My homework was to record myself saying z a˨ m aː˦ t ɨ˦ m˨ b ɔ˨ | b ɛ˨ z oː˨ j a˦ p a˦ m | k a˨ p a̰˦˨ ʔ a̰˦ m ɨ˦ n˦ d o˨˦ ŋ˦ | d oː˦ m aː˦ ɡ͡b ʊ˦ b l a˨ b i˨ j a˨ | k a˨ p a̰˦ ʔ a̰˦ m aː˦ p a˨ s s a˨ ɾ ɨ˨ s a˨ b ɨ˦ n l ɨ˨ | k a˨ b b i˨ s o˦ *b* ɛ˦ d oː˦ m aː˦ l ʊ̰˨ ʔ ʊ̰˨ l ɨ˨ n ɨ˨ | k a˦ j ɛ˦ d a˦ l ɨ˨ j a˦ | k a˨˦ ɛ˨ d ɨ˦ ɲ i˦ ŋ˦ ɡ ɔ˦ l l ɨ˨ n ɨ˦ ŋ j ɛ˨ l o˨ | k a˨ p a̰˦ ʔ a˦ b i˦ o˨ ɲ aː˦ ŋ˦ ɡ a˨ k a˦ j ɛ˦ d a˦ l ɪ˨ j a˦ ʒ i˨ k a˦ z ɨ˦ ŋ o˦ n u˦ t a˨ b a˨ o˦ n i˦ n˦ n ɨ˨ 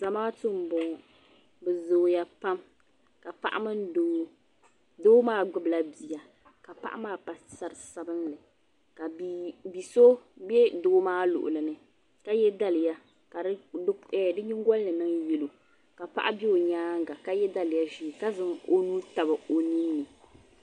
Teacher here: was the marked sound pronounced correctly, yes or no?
yes